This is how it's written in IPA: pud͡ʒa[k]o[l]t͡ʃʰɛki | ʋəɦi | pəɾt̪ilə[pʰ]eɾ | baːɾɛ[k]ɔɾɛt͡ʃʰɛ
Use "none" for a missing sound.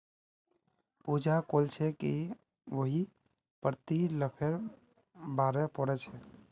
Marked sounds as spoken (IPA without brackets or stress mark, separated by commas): k, l, pʰ, p